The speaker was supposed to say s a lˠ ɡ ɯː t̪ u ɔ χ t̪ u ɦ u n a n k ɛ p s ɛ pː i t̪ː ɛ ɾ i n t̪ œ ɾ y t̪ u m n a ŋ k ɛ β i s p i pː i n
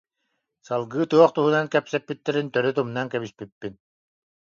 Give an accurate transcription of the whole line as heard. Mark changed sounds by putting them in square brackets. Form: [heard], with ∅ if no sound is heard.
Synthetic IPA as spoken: s a lˠ ɡ ɯː t̪ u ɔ χ t̪ u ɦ u n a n k ɛ p s ɛ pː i t̪ː ɛ ɾ i n t̪ œ ɾ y t̪ u m n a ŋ k ɛ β i s p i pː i n